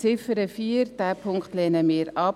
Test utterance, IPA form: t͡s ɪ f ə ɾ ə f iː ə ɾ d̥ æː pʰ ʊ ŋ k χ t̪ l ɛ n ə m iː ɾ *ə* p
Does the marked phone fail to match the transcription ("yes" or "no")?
yes